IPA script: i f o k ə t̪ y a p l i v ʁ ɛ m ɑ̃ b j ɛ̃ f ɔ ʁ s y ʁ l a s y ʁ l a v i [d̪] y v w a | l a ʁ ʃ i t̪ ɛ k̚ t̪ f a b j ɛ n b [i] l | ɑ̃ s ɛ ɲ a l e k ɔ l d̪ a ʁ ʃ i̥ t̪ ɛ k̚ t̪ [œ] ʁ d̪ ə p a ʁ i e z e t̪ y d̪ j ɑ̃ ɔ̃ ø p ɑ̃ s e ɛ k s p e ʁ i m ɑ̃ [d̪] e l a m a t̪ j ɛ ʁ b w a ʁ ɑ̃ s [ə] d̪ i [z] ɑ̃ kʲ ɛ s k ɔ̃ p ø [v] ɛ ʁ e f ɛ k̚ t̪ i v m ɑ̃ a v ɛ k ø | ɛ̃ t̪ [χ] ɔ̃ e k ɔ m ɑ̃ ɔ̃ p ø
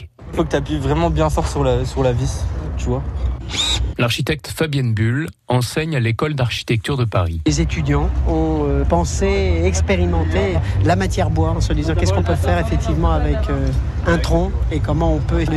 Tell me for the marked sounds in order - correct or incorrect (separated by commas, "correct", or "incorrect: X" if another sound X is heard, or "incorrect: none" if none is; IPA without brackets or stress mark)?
incorrect: t̪, incorrect: y, incorrect: y, incorrect: t̪, correct, correct, incorrect: f, correct